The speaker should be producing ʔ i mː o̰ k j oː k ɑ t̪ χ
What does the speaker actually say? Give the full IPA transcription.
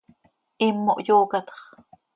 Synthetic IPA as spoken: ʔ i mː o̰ ʔ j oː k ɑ t̪ χ